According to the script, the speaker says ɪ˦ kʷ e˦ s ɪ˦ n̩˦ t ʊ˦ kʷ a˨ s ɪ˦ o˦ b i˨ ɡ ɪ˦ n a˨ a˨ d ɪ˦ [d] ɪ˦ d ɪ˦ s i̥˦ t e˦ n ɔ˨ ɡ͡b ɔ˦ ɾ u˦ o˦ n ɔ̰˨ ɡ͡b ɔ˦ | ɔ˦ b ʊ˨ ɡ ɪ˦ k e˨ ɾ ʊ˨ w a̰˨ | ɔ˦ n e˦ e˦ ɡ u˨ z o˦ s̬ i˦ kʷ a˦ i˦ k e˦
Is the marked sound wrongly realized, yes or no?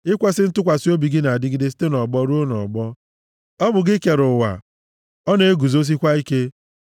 yes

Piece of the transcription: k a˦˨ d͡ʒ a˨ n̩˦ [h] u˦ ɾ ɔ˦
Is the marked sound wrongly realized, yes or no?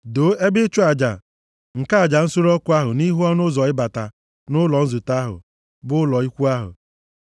yes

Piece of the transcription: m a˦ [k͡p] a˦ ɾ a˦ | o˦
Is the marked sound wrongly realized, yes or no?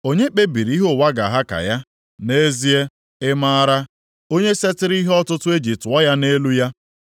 yes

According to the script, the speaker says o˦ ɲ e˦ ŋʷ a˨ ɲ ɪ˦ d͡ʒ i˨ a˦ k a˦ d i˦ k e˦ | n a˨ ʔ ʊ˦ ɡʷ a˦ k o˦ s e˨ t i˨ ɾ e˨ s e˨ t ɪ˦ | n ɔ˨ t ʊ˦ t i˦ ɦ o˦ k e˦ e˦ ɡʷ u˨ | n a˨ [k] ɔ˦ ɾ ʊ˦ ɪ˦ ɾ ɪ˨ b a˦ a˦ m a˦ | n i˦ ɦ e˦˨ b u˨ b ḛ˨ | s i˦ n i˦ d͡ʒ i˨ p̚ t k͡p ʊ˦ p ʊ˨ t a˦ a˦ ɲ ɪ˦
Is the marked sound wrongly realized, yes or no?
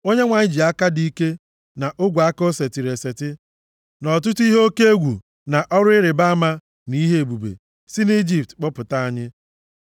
yes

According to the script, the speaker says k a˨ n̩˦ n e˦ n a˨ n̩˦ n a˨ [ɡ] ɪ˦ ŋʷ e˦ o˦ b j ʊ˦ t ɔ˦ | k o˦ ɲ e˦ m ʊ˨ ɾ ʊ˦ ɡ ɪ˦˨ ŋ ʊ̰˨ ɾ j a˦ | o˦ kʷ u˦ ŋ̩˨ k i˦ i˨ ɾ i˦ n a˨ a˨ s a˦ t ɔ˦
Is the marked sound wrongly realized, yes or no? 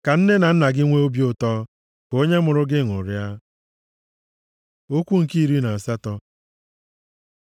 no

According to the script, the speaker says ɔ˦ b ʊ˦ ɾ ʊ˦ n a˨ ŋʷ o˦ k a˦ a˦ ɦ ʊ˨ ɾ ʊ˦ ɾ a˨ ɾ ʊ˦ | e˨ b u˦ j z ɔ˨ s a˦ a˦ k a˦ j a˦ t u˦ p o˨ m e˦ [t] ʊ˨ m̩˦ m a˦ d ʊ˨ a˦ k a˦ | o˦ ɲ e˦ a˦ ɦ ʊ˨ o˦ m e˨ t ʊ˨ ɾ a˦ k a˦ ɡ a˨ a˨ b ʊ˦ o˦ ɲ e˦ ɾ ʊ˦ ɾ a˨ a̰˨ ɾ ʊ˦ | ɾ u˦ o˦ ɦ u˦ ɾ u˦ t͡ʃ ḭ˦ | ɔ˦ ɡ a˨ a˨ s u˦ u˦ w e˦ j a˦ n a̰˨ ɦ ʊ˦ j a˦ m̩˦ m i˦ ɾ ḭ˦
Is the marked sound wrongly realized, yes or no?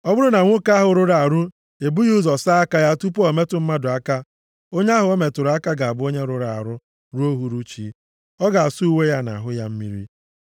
no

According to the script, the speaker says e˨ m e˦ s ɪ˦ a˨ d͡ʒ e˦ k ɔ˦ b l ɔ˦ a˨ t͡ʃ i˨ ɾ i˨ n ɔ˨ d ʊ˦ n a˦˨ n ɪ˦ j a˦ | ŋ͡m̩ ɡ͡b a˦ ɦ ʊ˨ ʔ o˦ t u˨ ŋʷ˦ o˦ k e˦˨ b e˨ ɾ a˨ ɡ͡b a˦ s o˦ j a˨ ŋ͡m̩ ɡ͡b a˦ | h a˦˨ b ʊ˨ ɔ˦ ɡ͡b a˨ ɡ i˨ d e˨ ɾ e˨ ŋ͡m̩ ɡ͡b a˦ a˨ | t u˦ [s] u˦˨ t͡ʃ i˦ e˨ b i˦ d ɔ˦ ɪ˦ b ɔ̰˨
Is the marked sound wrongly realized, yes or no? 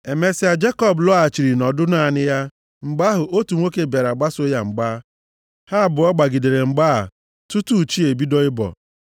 yes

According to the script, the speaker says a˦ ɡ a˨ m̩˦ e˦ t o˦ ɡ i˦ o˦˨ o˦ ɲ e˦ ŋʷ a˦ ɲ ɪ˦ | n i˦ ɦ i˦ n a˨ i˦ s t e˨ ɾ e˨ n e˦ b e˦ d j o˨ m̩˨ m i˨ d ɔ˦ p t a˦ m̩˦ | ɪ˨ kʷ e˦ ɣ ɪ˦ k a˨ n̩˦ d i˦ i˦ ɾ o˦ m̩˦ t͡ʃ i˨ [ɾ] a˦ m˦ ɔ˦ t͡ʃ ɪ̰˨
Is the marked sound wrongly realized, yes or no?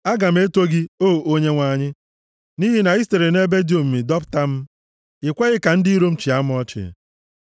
yes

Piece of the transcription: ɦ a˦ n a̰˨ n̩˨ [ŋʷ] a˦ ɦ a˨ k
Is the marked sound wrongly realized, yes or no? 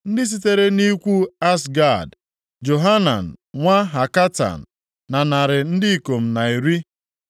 no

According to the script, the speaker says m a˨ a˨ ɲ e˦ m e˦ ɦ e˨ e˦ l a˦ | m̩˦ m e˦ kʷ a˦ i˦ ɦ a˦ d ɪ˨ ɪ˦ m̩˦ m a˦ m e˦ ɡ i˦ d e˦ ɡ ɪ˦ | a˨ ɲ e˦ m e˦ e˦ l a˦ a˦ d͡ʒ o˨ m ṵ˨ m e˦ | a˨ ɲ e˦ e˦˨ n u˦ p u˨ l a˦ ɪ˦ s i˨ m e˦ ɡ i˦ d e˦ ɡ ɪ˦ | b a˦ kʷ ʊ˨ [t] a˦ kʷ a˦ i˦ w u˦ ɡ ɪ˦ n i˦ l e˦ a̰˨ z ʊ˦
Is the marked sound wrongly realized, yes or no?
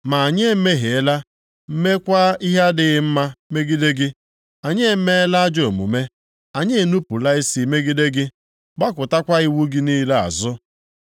no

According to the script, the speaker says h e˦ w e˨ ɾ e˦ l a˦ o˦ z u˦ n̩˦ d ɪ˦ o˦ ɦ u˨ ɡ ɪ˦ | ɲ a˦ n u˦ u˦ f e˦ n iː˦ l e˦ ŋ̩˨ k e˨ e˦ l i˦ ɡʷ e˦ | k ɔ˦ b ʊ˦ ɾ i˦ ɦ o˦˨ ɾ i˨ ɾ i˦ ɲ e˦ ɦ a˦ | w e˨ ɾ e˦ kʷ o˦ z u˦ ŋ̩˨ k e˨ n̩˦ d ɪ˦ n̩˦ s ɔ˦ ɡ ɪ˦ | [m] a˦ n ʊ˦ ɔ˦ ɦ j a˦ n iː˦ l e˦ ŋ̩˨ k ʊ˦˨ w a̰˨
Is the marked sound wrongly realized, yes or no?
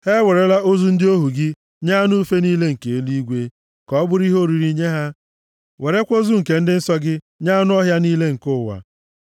yes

